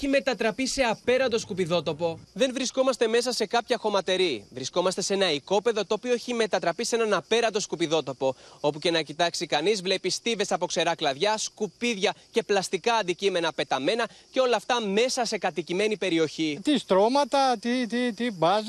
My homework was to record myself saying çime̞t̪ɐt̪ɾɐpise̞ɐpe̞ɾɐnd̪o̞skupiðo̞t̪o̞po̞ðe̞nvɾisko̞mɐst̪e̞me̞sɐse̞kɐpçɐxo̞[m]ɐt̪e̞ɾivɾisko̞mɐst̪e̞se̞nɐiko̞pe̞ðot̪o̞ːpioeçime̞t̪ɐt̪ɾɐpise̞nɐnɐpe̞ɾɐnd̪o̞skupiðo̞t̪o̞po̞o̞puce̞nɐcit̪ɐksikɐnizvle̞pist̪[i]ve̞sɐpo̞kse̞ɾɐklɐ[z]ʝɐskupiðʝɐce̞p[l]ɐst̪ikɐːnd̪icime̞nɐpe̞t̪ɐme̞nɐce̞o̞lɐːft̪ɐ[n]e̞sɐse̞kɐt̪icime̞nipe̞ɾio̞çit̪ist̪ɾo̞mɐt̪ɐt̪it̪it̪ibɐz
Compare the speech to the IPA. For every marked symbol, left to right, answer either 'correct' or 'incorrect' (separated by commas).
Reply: correct, correct, incorrect, correct, incorrect